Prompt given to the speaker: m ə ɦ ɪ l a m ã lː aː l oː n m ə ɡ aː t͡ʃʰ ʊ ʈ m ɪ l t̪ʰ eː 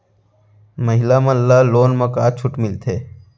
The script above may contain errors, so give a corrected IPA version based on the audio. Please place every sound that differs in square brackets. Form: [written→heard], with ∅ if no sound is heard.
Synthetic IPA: m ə ɦ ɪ l a m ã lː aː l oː n m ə [ɡ→k] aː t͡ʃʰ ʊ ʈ m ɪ l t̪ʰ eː